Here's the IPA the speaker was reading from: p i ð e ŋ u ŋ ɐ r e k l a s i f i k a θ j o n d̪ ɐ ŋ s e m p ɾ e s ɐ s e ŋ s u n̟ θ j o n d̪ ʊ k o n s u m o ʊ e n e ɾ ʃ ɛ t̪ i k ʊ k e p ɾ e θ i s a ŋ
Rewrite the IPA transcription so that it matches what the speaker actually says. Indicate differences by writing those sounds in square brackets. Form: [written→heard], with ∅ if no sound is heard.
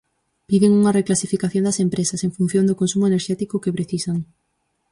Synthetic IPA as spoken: p i ð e ŋ u ŋ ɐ r e k l a s i f i k a θ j o n d̪ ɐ [ŋ→∅] s e m p ɾ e s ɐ s e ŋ [s→f] u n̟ θ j o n d̪ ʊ k o n s u m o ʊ e n e ɾ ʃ ɛ t̪ i k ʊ k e p ɾ e θ i s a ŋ

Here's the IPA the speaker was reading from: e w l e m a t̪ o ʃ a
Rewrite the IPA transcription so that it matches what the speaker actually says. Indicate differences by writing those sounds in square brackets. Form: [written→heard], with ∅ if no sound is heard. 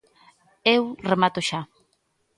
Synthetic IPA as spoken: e w [l→r] e m a t̪ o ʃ a

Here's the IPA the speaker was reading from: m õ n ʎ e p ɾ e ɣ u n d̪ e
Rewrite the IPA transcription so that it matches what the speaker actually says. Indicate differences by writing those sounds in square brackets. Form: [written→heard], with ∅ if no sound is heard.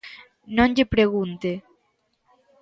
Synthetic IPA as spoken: [m→n] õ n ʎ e p ɾ e ɣ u n [d̪→t̪] e

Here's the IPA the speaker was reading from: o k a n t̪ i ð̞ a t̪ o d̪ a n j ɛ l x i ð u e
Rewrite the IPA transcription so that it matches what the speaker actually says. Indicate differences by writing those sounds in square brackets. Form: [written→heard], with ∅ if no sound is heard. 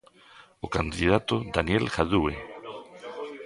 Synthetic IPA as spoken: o k a n [t̪→d̪] i ð̞ a t̪ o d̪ a n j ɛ l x [i→a] ð u e

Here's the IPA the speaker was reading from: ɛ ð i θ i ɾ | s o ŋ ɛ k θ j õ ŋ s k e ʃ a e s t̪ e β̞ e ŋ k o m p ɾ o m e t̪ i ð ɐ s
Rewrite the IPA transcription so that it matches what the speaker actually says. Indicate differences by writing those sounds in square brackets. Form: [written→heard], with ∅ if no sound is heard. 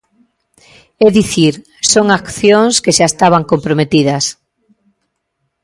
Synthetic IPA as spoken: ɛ ð i θ i ɾ | s o ŋ [ɛ→a] k θ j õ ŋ s k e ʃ a e s t̪ [e→a] β̞ [e→a] ŋ k o m p ɾ o m e t̪ i ð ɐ s

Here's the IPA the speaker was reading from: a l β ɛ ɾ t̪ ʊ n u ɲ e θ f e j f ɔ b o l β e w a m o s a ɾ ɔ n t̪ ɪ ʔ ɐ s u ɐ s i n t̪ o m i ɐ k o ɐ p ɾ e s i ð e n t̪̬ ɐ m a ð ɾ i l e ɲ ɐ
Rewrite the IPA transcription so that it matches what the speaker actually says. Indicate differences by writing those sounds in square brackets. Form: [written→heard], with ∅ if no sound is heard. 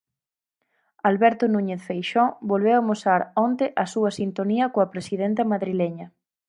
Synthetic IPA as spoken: a l β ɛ ɾ t̪ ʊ n u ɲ e θ f e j [f→ʃ] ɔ b o l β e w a m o s a ɾ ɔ n t̪ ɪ ʔ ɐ s u ɐ s i n t̪ o [m→n] i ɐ k o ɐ p ɾ e s i ð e n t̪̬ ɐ m a ð ɾ i l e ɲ ɐ

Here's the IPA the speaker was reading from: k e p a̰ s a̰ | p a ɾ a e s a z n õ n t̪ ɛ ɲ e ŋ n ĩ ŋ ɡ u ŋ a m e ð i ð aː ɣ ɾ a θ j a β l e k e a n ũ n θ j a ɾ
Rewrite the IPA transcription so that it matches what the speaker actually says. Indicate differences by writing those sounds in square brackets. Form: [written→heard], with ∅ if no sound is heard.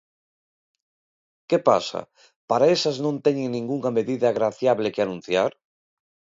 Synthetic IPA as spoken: k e p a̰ s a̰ | p a ɾ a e s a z n õ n t̪ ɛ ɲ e ŋ n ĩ ŋ ɡ u ŋ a m e ð i ð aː ɣ ɾ a θ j a β l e k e a n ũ n θ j a ɾ

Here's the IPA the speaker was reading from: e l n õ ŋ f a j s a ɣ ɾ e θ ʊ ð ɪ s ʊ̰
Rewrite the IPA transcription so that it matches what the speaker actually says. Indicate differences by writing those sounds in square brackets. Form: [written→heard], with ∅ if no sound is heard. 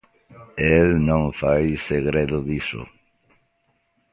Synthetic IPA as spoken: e l n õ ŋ f a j s [a→e] ɣ ɾ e [θ→ð] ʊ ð [ɪ→i] s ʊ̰

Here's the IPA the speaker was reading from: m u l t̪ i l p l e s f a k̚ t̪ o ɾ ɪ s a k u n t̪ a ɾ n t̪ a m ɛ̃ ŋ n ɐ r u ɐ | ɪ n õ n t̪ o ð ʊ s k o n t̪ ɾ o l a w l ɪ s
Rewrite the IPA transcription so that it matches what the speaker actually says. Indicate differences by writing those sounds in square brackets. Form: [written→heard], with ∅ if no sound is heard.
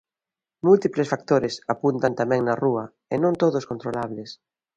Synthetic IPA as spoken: m u l t̪ i [l→∅] p l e s f a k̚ t̪ o ɾ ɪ s a [k→p] u n t̪ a [ɾ→∅] n t̪ a m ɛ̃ ŋ n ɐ r u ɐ | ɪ n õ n t̪ o ð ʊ s k o n t̪ ɾ o l a [w→β] l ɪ s

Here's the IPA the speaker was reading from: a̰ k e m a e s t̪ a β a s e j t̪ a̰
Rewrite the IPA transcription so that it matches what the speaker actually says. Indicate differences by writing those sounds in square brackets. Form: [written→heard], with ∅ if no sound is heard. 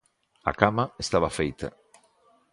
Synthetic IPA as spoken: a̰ k [e→a] m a e s t̪ a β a [s→f] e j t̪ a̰

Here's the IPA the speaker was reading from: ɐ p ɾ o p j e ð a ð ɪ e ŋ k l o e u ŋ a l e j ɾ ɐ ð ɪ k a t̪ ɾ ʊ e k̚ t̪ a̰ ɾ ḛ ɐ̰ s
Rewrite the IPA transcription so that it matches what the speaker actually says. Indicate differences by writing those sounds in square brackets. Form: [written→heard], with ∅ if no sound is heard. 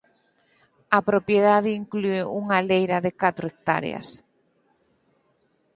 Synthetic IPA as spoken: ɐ p ɾ o p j e ð a ð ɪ [e→i] ŋ k l [o→u] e u ŋ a l e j ɾ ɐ ð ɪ k a t̪ ɾ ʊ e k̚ t̪ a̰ ɾ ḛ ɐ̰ s

